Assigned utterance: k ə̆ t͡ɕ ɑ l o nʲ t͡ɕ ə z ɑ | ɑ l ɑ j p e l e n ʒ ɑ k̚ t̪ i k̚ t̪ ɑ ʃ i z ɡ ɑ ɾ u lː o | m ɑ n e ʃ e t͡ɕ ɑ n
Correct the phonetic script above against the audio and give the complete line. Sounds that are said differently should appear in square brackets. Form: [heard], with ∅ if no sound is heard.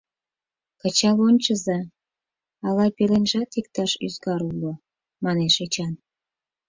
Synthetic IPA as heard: k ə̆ t͡ɕ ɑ l o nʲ t͡ɕ ə z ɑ | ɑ l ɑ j p e l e n ʒ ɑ [∅] t̪ i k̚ t̪ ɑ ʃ [y] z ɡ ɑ ɾ u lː o | m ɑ n e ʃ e t͡ɕ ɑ n

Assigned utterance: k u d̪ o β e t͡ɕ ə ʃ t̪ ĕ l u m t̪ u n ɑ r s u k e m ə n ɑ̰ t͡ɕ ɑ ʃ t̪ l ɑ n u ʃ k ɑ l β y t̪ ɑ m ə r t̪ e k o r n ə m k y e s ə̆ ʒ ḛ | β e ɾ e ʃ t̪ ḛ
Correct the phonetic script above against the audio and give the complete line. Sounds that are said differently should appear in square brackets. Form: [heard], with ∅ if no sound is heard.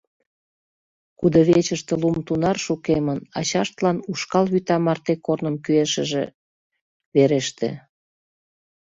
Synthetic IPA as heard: k u d̪ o β e t͡ɕ ə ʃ t̪ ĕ l u m t̪ u n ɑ r [ʃ] u k e m ə n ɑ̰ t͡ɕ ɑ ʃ t̪ l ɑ n u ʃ k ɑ l β y t̪ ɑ m [ɑ] r t̪ e k o r n ə m k y e [ʃ] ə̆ ʒ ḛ | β e ɾ e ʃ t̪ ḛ

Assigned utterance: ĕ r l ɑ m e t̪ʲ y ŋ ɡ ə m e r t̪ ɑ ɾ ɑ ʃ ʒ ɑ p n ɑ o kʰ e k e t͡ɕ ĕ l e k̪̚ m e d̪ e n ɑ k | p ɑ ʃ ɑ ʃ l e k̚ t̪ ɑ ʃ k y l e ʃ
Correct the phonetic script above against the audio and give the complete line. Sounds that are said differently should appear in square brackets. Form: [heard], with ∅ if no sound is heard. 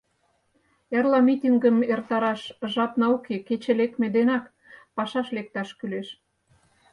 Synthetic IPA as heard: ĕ r l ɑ m [i] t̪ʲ [i] ŋ ɡ ə m e r t̪ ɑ ɾ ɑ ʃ ʒ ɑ p n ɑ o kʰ e k e t͡ɕ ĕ l e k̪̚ m e d̪ e n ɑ k | p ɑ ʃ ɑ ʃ l e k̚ t̪ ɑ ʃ k y l e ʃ

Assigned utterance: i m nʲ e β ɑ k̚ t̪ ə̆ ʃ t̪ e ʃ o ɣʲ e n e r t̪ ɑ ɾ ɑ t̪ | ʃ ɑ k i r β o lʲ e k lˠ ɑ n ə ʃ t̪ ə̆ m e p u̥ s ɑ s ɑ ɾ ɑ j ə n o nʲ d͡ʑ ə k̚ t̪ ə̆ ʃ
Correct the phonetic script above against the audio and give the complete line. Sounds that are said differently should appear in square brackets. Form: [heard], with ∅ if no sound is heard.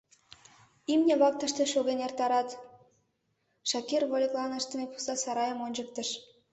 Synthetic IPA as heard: i m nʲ e β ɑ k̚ t̪ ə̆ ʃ t̪ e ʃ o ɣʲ e n e r t̪ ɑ ɾ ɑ t̪ | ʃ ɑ k i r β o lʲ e k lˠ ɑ n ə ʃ t̪ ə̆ m e p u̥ s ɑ s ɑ ɾ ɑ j ə [m] o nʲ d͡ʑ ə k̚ t̪ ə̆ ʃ

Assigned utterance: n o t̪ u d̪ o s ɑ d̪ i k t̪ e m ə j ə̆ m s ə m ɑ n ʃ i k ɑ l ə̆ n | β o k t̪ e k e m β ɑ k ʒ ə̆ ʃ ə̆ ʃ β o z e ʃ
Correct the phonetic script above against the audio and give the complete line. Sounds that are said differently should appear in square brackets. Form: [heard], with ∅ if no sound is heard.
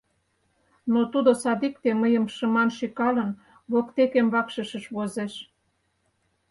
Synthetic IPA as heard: n o t̪ u d̪ o s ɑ d̪ i k t̪ e m ə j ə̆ m [ʃ] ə m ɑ n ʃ i k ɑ l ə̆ n | β o k t̪ e k e m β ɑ k [ʃ] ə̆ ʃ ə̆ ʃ β o z e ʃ

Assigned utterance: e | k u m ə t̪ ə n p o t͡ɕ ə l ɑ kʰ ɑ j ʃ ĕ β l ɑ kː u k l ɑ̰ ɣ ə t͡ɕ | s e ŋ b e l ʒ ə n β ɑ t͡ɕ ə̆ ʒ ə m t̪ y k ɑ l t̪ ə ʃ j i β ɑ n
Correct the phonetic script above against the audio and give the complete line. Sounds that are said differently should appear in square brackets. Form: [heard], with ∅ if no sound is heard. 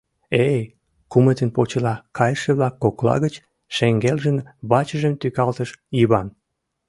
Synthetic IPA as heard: e | k u m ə t̪ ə n p o t͡ɕ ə l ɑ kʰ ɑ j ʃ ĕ β l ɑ kː [o] k l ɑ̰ ɣ ə t͡ɕ | [ʃ] e ŋ [ɡ] e l ʒ ə n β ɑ t͡ɕ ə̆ ʒ ə m t̪ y k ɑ l t̪ ə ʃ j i β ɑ n

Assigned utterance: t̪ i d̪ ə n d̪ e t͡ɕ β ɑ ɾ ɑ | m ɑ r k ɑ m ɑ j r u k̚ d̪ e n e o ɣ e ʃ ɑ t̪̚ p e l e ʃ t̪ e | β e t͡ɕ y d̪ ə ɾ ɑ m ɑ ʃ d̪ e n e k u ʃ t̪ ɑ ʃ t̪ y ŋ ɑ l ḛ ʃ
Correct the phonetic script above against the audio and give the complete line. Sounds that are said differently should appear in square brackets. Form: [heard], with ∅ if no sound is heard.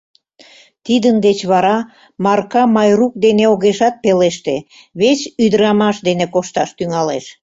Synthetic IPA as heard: t̪ i d̪ ə n d̪ e t͡ɕ β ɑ ɾ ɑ | m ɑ r k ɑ m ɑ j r u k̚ d̪ e n e o ɣ e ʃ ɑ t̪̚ p e l e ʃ t̪ e | β e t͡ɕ y d̪ ə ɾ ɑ m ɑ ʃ d̪ e n e k [o] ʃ t̪ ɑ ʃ t̪ y ŋ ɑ l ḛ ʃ

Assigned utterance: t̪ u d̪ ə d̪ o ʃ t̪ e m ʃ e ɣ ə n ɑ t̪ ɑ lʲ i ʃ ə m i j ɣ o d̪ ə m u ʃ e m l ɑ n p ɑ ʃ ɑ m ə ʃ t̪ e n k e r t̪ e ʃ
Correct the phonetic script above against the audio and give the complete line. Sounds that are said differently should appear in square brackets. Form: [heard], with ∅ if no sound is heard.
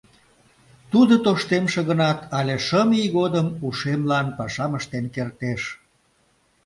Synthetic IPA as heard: t̪ u d̪ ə [t̪] o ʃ t̪ e m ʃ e ɣ ə n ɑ t̪ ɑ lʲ [e] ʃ ə m i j ɣ o d̪ ə m u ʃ e m l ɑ n p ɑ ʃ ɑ m ə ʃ t̪ e n k e r t̪ e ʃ

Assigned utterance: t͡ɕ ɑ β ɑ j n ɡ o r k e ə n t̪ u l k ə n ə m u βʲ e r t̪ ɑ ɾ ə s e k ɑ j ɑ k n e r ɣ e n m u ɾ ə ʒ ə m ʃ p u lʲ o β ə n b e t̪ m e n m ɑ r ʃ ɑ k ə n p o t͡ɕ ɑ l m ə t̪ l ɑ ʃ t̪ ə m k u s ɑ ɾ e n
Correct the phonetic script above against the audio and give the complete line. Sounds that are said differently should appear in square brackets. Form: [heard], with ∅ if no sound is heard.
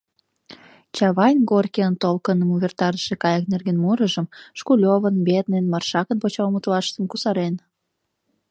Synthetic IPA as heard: t͡ɕ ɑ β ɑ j n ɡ o r k e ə n t̪ [o] l k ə n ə m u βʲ e r t̪ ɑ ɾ ə [ʃ] e k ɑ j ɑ k n e r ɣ e n m u ɾ ə ʒ ə m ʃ [k] u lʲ o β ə n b e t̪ [n] e n m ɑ r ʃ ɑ k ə n p o t͡ɕ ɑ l m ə t̪ l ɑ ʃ t̪ ə m k u s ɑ ɾ e n

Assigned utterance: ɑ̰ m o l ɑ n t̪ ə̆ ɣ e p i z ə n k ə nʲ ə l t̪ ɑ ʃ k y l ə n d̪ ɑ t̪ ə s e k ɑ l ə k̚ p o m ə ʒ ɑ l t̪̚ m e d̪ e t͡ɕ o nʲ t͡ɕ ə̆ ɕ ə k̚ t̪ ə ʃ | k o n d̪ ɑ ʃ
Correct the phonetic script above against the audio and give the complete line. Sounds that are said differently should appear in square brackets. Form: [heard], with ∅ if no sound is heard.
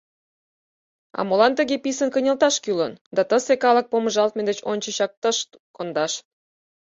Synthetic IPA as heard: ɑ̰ m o l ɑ n t̪ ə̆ ɣ e p i [s] ə n k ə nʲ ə l t̪ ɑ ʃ k y l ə n d̪ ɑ t̪ ə s e k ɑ l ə k̚ p o m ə ʒ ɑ l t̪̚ m e d̪ e t͡ɕ o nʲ t͡ɕ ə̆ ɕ [ɑ] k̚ t̪ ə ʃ | k o n d̪ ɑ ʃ

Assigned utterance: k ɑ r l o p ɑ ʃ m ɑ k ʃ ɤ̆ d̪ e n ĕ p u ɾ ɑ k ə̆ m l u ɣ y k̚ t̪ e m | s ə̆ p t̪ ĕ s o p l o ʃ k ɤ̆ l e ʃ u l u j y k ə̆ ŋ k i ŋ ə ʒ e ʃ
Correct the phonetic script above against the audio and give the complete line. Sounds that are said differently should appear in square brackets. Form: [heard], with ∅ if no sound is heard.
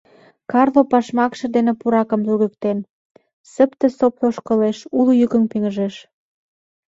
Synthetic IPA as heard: k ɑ r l o p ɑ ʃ m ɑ k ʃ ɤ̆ d̪ e n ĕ p u ɾ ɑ k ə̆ m l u ɣ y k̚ t̪ e [n] | s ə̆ p t̪ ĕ s o p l o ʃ k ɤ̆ l e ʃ u l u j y k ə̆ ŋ [p] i ŋ ə ʒ e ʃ

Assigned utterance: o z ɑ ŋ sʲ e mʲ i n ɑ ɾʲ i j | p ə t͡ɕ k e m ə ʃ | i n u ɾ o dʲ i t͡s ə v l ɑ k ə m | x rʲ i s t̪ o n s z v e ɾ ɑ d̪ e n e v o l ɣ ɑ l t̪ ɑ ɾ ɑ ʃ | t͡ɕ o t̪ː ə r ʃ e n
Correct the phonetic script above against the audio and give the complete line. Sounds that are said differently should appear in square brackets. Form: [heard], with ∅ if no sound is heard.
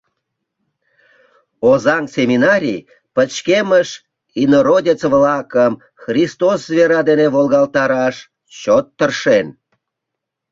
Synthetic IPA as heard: o z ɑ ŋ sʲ e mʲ i n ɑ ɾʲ i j | p ə t͡ɕ k e m ə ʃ | i n [o] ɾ o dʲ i t͡s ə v l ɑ k ə m | x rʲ i s t̪ o [∅] s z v e ɾ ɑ d̪ e n e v o l ɣ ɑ l t̪ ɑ ɾ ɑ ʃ | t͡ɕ o t̪ː ə r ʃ e n

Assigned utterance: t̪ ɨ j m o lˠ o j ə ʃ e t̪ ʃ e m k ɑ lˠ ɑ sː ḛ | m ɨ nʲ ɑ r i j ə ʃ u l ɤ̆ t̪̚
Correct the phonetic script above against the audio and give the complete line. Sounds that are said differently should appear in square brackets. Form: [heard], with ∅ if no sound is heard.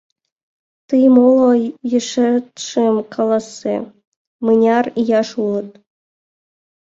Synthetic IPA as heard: t̪ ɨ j m o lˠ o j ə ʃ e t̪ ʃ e m k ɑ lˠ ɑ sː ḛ | m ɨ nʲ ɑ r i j [ɑ] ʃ u l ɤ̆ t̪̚

